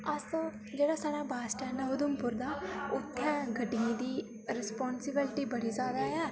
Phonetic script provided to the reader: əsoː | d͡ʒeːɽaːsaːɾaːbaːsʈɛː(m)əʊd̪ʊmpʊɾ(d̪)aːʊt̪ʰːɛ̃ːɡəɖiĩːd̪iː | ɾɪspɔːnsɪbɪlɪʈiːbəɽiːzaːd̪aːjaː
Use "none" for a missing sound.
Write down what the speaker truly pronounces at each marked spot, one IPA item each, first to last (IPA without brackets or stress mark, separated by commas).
n, d̪